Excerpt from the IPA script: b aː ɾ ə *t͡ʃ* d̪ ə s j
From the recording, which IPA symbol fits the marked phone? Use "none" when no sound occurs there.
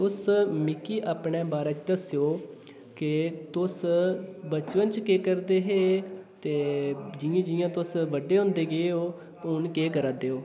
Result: t͡ʃ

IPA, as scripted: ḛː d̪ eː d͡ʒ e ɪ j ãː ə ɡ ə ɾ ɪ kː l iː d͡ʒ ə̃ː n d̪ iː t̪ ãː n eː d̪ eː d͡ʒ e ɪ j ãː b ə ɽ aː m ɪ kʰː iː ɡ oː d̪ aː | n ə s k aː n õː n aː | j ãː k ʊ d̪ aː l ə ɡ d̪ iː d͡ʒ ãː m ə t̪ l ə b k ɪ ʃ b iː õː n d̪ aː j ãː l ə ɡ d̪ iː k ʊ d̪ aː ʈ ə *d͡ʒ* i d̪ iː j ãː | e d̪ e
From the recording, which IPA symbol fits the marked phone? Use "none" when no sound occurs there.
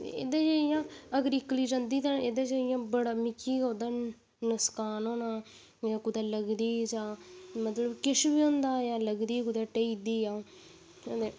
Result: none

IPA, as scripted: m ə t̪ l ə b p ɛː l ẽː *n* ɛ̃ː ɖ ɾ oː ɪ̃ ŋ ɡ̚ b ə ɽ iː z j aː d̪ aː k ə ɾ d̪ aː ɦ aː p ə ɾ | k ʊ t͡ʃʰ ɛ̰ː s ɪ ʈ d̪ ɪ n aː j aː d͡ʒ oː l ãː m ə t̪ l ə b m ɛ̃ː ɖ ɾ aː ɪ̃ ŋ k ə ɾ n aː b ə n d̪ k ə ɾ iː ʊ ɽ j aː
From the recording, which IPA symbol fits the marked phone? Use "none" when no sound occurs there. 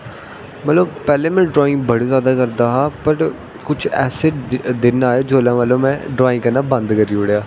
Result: m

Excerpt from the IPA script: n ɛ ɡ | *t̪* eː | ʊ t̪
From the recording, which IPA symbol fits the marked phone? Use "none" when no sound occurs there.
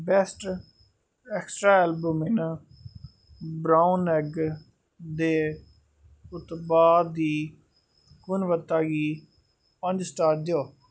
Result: d̪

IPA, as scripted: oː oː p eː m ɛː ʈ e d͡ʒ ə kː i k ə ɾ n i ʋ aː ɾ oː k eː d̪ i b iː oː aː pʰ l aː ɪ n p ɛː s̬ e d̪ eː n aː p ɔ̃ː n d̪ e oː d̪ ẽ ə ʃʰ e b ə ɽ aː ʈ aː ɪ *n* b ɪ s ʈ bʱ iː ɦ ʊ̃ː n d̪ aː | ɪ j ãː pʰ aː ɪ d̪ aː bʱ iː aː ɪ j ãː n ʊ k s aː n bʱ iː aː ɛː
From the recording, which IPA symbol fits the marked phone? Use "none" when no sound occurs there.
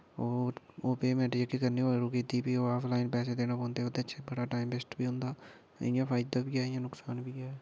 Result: m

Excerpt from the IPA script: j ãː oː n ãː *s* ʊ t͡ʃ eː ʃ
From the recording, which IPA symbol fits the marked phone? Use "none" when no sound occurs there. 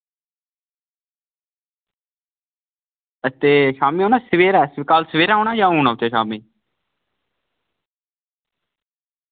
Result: none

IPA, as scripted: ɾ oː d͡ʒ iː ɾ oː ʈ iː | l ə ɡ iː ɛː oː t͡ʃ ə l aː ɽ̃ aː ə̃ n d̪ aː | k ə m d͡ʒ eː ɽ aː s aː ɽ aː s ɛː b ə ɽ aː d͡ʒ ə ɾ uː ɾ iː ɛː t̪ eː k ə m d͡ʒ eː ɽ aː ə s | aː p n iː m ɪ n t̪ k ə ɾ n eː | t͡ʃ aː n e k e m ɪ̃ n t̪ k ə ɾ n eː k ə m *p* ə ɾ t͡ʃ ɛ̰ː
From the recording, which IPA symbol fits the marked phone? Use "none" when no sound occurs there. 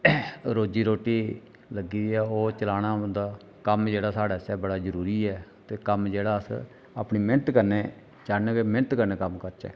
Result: k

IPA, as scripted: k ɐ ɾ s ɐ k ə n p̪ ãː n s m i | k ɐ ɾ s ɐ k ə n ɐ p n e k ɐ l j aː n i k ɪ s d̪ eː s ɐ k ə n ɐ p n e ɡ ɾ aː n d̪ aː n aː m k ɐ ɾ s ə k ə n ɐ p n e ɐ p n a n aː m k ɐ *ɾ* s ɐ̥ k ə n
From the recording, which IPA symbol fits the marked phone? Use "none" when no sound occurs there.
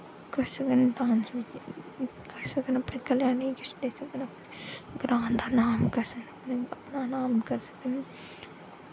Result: ɾ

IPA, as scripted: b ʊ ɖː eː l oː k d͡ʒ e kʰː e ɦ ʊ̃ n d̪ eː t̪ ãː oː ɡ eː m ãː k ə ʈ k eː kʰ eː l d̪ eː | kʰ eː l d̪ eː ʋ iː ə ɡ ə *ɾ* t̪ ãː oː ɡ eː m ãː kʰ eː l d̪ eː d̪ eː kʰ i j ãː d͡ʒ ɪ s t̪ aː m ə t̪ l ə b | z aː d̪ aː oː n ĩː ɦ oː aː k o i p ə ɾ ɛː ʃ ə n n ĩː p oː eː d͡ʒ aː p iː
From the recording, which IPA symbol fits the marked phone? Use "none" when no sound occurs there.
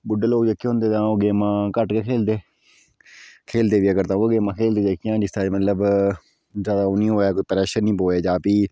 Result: ɾ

